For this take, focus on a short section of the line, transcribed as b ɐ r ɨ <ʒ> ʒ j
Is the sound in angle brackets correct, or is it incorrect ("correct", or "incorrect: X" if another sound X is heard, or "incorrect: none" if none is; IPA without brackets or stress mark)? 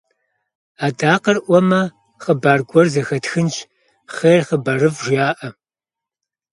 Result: incorrect: v